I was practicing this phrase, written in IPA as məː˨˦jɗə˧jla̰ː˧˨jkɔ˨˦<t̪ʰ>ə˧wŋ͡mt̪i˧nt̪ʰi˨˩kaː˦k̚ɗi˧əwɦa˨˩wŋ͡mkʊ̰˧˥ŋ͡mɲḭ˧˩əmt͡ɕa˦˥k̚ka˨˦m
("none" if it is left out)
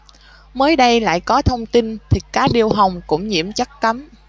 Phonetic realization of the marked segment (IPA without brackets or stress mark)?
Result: t̪ʰ